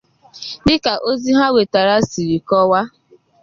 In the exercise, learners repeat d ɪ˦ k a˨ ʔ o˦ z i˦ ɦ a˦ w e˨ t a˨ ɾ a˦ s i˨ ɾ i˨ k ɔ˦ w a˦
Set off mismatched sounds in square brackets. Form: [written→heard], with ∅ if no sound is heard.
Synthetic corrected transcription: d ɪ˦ k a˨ ʔ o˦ z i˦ ɦ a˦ w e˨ t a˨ ɾ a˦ s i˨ ɾ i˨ k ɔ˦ w a˦